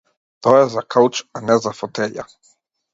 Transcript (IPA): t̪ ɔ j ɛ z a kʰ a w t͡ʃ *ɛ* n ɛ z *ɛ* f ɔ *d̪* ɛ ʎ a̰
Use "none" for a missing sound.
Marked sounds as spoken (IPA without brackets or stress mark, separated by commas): a, a, t̪